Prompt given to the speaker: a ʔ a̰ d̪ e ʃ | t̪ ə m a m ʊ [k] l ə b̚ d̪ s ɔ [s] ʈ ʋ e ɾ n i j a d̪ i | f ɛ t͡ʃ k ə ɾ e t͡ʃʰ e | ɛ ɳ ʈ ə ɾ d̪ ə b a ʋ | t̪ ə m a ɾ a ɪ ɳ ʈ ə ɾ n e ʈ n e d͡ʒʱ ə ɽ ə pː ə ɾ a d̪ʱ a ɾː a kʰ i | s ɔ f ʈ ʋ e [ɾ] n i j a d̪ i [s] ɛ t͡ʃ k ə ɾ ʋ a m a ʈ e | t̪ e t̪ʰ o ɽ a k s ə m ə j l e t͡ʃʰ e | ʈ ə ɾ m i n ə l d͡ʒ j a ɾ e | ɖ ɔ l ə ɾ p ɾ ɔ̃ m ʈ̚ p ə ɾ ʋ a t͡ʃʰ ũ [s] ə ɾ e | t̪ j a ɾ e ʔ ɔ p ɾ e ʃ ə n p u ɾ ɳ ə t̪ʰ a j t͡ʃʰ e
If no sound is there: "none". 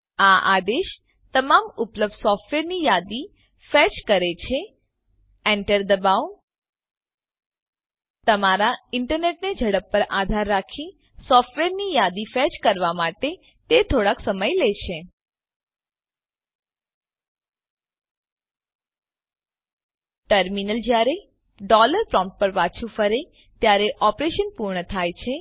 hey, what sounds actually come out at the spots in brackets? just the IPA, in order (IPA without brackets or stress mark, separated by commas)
p, f, ɾ, f, f